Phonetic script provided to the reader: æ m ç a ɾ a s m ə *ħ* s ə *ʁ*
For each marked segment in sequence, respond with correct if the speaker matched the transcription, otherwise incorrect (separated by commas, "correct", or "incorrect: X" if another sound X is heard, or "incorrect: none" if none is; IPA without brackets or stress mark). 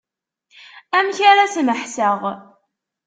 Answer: correct, correct